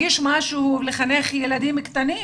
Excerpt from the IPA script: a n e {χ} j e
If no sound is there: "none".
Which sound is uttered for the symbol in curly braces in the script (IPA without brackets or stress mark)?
χ